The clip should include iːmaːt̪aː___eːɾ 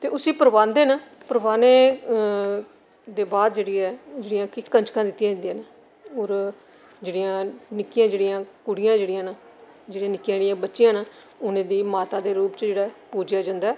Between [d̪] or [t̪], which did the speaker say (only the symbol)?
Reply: d̪